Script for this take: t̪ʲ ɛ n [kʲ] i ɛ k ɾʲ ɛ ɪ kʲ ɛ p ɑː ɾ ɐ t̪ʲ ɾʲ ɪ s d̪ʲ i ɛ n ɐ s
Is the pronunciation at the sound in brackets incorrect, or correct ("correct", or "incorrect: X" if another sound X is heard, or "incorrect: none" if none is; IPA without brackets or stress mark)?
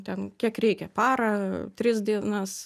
correct